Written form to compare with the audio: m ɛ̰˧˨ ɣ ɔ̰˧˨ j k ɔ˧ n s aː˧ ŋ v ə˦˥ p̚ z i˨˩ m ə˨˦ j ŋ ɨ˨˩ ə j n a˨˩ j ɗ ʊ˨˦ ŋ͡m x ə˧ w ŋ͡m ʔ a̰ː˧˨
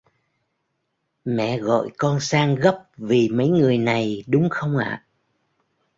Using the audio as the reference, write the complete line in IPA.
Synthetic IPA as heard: m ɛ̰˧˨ ɣ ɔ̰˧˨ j k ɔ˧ n s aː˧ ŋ ɣ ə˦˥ p̚ v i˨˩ m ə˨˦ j ŋ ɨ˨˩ ə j n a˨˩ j ɗ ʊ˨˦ ŋ͡m x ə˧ w ŋ͡m ʔ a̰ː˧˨